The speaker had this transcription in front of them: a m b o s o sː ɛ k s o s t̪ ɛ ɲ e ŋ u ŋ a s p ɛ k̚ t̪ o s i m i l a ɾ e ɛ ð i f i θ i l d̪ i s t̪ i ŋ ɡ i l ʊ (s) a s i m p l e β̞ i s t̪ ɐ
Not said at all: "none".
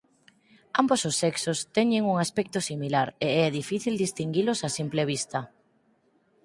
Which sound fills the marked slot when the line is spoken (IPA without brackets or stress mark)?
s